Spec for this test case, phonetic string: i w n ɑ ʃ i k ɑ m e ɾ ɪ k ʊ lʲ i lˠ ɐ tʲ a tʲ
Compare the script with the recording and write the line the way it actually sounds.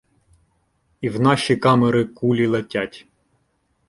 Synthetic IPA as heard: i w n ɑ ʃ i k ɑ m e ɾ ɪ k u lʲ i lˠ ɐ tʲ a tʲ